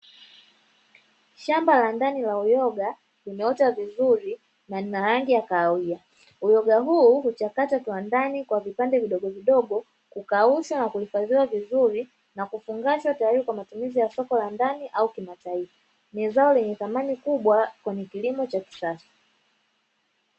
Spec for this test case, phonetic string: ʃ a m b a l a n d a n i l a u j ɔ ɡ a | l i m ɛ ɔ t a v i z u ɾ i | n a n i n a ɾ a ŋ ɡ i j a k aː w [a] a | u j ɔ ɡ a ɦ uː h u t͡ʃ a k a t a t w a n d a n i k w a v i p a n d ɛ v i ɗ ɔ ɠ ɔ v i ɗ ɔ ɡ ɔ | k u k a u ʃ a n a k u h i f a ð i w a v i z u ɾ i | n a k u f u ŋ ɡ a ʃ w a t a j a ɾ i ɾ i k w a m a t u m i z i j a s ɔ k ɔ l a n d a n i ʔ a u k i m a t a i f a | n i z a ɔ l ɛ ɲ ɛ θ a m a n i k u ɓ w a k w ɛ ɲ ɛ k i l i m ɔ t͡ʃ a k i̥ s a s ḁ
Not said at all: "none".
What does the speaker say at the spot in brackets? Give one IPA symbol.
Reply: i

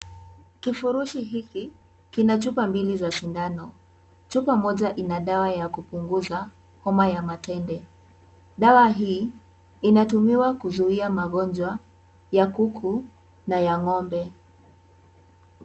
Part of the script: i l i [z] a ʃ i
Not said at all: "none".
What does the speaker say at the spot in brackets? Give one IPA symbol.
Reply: z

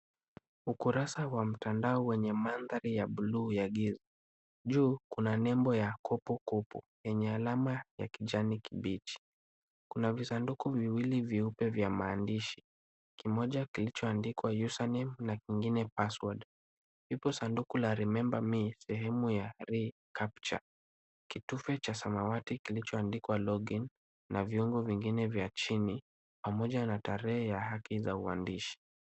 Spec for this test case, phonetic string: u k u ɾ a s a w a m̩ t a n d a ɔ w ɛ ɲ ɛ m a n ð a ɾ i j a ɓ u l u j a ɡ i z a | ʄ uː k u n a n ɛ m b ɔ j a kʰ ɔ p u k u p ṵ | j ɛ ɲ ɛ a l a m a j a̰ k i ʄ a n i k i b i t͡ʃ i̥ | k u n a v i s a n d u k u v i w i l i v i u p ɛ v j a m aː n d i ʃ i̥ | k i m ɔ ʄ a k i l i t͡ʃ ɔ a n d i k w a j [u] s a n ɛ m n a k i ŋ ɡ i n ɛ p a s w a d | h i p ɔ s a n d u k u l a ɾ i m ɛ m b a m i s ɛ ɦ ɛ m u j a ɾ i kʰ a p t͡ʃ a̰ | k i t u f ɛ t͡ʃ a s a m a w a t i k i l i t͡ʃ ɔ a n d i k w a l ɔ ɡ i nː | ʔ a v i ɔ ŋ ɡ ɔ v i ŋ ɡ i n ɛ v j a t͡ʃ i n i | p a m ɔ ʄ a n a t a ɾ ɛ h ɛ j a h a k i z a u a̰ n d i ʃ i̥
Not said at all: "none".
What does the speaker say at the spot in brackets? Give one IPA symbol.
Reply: u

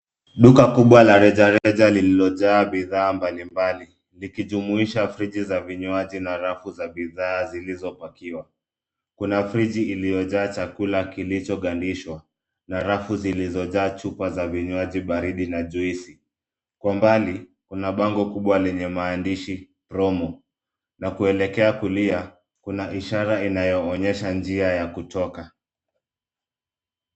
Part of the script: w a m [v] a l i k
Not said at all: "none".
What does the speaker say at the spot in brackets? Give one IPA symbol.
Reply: b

